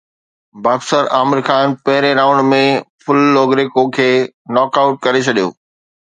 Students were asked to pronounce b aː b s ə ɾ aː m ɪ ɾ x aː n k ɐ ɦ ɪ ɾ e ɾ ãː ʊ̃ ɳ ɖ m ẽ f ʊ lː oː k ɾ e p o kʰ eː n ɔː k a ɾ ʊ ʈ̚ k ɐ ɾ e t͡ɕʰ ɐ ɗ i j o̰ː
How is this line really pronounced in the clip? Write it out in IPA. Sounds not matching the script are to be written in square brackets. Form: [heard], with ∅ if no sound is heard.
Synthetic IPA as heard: b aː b s ə ɾ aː m ɪ ɾ x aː n [p] ɐ ɦ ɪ ɾ e ɾ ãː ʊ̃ ɳ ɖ m ẽ f ʊ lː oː [ɡ] ɾ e [k] o kʰ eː n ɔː k a [∅] ʊ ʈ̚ k ɐ ɾ e t͡ɕʰ ɐ ɗ i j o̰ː